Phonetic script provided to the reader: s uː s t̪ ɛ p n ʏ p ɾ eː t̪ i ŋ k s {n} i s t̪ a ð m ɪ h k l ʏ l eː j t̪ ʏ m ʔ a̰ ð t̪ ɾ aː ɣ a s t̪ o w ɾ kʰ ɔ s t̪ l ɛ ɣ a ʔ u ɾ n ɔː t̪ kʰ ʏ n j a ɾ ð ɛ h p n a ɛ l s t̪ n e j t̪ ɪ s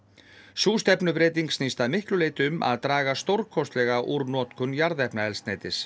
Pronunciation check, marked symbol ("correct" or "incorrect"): correct